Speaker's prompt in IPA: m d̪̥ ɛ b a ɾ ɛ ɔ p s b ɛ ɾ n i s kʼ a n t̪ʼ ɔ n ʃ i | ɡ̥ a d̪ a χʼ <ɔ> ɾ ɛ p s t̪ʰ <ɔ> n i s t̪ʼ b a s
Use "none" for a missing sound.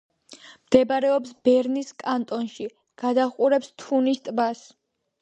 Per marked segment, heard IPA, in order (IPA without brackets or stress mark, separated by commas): u, u